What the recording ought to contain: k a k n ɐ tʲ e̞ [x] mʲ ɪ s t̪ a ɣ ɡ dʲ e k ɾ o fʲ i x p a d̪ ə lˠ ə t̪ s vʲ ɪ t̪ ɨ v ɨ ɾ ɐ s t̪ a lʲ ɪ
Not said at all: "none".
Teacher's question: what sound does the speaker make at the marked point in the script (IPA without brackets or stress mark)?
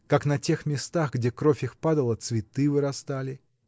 x